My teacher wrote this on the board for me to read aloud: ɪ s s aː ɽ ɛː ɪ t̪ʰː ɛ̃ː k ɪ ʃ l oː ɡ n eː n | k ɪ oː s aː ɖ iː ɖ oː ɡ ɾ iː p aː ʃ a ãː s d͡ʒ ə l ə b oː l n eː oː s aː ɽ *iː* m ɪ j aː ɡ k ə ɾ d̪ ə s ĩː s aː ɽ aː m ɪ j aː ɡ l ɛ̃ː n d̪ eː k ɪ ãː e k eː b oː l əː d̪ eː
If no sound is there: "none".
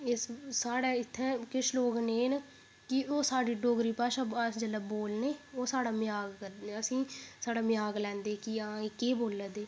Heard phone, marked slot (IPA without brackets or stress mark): aː